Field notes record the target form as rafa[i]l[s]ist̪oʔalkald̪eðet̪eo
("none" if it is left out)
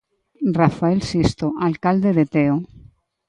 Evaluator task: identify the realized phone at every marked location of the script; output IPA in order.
e, s

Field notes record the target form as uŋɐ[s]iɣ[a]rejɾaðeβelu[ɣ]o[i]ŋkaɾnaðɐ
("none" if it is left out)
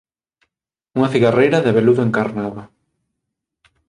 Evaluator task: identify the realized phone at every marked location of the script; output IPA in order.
θ, a, ð, e

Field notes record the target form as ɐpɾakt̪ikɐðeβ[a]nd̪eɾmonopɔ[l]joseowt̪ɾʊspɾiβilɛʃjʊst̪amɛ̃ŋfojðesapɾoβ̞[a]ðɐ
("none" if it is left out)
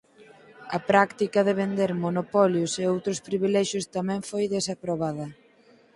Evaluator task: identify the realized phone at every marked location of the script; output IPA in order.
e, l, a

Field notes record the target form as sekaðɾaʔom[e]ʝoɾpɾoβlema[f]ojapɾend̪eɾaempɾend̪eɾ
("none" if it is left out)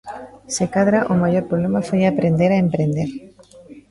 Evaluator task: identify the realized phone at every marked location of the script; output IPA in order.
a, f

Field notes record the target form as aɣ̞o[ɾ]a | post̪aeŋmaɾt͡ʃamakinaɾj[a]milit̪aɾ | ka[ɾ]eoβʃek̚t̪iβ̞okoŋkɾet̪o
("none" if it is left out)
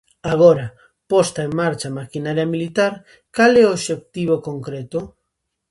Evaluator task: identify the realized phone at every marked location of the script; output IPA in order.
ɾ, a, l

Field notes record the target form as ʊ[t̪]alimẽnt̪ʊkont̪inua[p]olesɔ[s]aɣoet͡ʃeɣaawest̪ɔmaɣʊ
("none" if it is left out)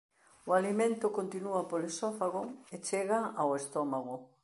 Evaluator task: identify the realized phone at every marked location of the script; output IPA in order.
none, p, f

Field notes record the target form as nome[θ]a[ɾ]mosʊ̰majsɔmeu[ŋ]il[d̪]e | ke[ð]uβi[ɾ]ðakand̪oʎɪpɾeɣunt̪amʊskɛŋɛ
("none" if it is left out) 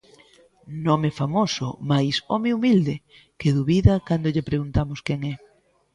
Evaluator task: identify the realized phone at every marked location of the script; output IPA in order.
f, none, m, d̪, ð, none

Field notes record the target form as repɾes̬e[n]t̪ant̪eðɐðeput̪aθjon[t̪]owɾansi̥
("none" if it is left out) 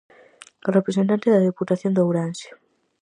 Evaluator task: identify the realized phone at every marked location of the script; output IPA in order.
n, d̪

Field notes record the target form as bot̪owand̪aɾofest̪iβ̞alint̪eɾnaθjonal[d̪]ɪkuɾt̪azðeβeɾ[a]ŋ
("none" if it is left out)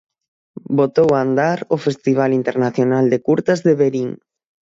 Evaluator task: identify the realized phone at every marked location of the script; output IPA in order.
d̪, i

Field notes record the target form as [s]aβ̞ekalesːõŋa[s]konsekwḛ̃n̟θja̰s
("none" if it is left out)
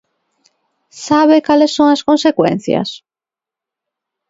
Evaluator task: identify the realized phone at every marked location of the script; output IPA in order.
s, s

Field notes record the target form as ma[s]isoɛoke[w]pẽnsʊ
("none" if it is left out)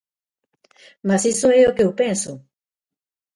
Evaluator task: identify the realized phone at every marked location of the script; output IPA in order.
s, w

